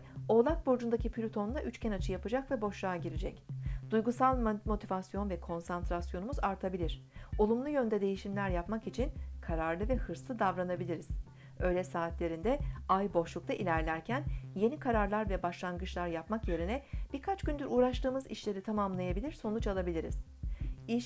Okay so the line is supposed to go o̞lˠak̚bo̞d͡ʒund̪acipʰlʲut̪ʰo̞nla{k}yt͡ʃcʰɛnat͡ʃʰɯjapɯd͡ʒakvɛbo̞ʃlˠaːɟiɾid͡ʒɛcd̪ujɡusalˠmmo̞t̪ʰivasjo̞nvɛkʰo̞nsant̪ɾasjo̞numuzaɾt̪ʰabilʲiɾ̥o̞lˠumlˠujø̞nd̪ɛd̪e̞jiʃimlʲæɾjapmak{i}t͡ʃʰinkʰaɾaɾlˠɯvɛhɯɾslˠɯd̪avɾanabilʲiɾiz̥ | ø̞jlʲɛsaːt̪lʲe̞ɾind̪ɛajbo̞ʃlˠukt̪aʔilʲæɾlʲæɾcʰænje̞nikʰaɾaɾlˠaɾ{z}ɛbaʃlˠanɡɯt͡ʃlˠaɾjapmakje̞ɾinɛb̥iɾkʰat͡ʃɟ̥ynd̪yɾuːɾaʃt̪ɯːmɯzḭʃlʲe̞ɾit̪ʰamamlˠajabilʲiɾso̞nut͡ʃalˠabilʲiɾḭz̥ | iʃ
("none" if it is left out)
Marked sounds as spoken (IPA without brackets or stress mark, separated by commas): ʔ, i, v